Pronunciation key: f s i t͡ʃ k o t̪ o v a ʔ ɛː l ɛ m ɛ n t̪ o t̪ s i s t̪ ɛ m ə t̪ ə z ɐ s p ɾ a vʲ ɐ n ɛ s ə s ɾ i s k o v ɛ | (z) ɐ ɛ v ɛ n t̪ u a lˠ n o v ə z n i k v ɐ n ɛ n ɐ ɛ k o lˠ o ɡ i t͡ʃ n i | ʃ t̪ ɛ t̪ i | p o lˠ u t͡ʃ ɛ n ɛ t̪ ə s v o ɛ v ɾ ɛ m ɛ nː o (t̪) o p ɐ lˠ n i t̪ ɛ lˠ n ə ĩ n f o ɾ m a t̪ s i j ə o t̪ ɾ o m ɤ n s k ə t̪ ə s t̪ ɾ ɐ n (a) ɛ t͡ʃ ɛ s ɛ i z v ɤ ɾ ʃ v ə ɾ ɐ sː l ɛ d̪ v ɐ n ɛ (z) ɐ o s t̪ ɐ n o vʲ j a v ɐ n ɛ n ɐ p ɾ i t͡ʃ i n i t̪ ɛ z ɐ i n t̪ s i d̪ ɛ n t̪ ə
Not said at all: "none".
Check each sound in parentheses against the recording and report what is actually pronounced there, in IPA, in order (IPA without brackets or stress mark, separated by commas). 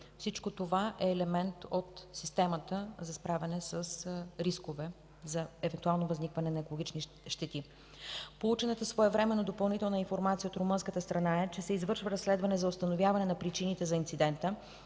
z, d̪, a, z